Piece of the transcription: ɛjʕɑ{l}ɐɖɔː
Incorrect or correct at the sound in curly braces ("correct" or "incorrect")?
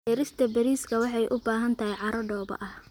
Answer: incorrect